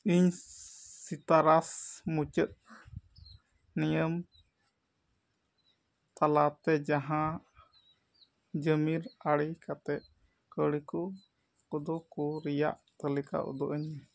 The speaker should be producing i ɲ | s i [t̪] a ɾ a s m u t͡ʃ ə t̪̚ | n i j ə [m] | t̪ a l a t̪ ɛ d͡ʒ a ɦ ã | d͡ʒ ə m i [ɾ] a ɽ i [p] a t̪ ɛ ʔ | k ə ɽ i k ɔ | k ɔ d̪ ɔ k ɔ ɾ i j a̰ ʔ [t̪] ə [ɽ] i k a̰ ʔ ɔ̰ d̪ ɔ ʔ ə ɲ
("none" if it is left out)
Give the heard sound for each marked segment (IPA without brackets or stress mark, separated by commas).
t̪, m, ɾ, k, t̪, l